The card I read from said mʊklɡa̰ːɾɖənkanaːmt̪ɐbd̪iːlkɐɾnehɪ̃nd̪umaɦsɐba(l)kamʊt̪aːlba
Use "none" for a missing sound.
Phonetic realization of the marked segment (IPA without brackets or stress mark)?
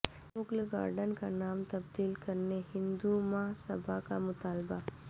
none